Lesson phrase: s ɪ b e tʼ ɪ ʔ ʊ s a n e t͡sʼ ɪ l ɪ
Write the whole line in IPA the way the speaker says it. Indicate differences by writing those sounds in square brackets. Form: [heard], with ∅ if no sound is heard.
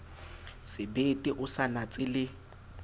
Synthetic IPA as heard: s ɪ b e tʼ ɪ ʔ ʊ s a n [a] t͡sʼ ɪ l ɪ

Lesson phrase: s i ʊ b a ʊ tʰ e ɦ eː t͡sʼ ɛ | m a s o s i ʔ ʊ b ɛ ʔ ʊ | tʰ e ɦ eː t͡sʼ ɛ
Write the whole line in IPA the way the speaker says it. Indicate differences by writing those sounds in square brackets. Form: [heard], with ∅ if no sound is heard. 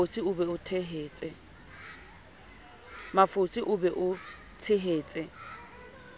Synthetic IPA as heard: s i ʊ b [ɛ] ʊ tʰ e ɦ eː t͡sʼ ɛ | m a [f] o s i ʔ ʊ b ɛ ʔ ʊ | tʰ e ɦ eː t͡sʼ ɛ

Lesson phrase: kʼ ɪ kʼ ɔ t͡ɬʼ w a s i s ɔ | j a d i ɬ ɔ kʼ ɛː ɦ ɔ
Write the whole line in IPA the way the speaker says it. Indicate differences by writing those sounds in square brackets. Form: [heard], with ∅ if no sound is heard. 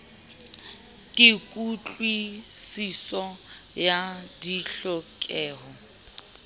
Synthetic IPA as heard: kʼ ɪ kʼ [u] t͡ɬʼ w [i] s i s ɔ | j a d i ɬ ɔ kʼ ɛː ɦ ɔ

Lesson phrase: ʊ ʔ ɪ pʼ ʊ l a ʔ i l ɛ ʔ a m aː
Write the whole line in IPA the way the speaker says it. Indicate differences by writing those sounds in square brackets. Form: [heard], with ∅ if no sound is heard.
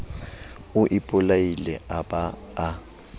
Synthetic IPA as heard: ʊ ʔ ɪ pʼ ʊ l a [∅] i l ɛ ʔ a [b] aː

